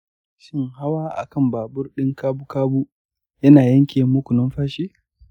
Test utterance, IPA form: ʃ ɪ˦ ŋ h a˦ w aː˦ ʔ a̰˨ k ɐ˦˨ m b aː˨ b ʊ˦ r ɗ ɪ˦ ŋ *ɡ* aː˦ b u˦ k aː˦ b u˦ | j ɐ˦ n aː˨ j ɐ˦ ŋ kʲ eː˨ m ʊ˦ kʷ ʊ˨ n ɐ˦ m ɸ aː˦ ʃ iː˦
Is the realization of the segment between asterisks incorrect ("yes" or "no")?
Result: yes